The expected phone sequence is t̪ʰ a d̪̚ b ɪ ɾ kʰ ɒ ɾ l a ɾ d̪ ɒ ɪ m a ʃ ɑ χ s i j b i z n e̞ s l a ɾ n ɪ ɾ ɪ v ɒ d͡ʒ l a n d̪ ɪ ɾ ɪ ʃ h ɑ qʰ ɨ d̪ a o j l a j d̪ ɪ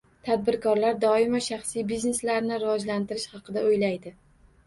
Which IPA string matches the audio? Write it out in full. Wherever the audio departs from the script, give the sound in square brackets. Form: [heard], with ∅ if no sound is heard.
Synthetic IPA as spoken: t̪ʰ a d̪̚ b ɪ ɾ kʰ ɒ ɾ l a ɾ d̪ ɒ ɪ m a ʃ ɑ χ s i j b i z n e̞ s l a ɾ n ɪ ɾ ɪ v ɒ d͡ʒ l a n [t̪] ɪ ɾ ɪ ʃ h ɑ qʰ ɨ d̪ a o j l a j d̪ ɪ